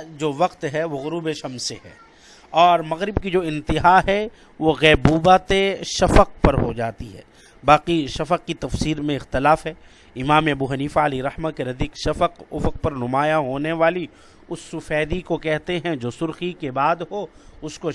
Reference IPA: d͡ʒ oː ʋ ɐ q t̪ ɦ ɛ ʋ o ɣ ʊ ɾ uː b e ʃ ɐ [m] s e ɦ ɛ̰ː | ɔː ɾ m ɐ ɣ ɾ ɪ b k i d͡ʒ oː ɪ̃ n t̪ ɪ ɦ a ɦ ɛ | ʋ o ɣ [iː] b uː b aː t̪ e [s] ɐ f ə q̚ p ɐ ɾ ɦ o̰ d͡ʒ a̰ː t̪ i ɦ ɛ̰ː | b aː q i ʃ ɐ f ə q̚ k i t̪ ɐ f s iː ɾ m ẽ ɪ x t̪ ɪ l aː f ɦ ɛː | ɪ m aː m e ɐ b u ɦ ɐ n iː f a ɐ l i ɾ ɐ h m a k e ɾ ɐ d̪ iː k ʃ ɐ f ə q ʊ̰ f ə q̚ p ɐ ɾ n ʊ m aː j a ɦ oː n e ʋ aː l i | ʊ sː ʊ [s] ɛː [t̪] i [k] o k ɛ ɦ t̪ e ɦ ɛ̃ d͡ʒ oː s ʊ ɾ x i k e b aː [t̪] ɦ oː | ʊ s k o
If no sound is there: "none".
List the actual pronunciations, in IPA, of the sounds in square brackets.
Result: m, ɛː, ʃ, f, d̪, k, d̪

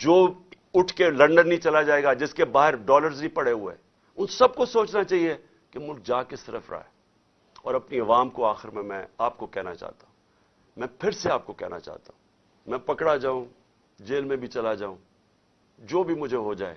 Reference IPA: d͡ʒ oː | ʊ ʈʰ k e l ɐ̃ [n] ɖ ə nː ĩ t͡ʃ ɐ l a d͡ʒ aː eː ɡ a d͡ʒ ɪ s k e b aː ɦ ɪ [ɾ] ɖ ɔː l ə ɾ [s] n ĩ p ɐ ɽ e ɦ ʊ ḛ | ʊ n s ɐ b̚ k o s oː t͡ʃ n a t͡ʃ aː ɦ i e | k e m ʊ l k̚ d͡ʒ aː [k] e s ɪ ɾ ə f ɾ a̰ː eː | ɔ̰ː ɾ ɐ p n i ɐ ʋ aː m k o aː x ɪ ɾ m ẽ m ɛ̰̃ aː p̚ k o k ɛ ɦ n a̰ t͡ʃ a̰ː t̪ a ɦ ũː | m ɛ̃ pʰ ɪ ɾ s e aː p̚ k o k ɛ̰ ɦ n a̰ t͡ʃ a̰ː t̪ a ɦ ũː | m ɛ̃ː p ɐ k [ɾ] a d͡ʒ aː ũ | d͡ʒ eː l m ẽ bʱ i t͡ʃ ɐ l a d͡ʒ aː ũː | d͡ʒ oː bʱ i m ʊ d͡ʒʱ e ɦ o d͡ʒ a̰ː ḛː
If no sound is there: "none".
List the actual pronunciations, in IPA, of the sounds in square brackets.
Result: ɳ, ɾ, z, k, ɽ

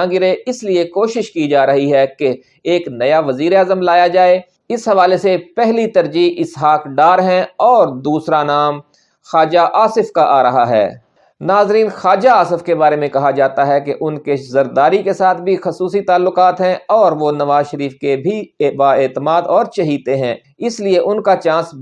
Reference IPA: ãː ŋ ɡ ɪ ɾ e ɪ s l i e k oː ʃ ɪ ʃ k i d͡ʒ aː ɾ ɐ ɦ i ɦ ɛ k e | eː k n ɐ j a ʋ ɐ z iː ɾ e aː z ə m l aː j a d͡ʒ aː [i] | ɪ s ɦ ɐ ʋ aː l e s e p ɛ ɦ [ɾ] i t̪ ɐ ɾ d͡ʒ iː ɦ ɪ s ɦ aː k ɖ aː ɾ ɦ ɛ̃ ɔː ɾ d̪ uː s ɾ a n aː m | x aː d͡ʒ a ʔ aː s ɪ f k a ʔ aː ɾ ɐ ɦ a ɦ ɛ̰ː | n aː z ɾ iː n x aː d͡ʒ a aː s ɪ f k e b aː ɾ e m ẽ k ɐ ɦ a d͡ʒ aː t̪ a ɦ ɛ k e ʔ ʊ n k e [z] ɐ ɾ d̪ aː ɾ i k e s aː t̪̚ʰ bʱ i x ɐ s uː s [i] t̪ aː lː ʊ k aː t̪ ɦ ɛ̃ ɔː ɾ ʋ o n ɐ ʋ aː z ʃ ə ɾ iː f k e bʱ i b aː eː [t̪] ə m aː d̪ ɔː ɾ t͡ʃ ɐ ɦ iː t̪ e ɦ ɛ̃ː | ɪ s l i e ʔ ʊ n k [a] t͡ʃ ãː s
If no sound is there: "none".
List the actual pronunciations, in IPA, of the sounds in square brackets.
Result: e, l, z, i, t̪, a

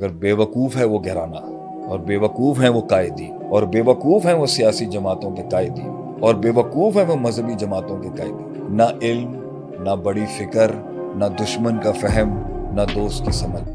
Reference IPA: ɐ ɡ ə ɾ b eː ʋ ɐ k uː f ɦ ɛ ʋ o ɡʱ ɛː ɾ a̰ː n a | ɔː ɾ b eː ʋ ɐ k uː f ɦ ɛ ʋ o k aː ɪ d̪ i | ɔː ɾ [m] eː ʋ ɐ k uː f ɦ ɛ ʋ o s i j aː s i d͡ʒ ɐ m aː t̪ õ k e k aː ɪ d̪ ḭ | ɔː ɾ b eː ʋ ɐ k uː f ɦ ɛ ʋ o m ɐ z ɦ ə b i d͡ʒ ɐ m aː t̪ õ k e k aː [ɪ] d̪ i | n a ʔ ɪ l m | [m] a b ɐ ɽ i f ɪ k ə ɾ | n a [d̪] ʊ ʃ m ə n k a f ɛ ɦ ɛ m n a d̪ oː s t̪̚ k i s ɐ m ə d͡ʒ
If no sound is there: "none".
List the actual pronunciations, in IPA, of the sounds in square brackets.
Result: b, ɪ, n, d̪

